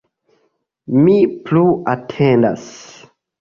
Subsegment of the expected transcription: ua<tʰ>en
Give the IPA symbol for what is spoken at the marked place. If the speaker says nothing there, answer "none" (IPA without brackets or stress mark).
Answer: tʰ